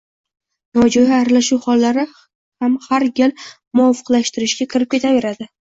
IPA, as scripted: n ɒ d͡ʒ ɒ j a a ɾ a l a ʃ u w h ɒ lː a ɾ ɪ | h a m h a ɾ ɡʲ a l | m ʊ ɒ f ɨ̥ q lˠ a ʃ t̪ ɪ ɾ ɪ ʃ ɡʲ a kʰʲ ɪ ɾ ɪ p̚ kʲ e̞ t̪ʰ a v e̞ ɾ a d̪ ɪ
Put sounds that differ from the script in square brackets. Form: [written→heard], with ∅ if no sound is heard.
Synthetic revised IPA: n ɒ d͡ʒ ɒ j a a ɾ a l a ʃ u w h ɒ lː a ɾ ɪ | h a m h a ɾ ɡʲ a l | m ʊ ɒ f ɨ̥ q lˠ a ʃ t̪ ɪ ɾ ɪ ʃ ɡʲ a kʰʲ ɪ ɾ ɪ p̚ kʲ e̞ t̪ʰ a v e̞ ɾ a d̪ ɪ